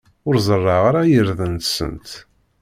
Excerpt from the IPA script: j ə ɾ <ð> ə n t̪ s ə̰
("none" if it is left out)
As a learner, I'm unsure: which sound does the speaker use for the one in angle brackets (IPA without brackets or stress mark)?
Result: ð